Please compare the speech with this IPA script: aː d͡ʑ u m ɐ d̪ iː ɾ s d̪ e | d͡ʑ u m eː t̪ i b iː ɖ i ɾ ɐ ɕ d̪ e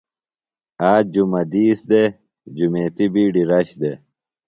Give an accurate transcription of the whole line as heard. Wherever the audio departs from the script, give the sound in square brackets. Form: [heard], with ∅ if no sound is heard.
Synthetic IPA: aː d͡ʑ u m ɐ d̪ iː [∅] s d̪ e | d͡ʑ u m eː t̪ i b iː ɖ i ɾ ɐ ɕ d̪ e